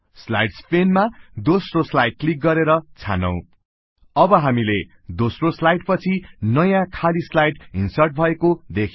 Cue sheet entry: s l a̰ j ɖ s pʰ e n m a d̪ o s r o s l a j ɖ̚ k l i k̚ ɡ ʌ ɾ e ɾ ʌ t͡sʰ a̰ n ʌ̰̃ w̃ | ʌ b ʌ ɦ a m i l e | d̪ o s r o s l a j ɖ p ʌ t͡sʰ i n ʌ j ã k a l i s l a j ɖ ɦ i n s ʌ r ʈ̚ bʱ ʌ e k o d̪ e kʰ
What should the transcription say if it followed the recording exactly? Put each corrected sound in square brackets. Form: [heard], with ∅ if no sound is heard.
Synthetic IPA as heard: s l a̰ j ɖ s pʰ e n m a d̪ o s r o s l a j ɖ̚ k l i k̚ ɡ ʌ ɾ e ɾ ʌ t͡sʰ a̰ n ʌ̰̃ w̃ | ʌ b ʌ ɦ a m i l e | d̪ o s r o s l a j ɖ p ʌ t͡sʰ i n ʌ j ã [kʰ] a l i s l a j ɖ ɦ i n s ʌ r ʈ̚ bʱ ʌ e k o d̪ e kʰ